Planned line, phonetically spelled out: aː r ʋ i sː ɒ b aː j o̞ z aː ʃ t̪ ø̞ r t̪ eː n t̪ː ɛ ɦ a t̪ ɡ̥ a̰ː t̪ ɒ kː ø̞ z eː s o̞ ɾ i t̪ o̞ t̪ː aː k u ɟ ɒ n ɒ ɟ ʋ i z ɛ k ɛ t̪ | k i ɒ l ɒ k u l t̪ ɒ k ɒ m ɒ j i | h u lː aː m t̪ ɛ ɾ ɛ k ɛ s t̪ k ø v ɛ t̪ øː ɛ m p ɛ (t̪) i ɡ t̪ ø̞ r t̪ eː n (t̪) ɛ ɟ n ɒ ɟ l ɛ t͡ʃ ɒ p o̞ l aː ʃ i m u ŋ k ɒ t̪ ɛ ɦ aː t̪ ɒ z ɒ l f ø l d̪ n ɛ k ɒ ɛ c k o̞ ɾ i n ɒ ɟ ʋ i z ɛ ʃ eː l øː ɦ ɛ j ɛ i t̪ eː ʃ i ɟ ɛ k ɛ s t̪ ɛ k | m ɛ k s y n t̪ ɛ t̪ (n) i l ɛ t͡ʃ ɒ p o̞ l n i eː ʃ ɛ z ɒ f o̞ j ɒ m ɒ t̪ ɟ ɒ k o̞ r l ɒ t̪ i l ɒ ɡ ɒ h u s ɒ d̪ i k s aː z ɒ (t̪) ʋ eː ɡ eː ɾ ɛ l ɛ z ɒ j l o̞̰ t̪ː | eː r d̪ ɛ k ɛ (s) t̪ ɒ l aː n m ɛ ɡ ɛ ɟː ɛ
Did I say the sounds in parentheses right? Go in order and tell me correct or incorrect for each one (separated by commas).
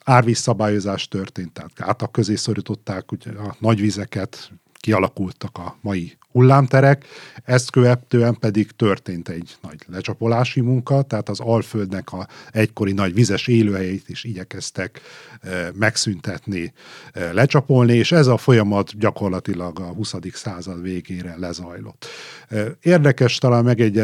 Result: incorrect, correct, correct, incorrect, incorrect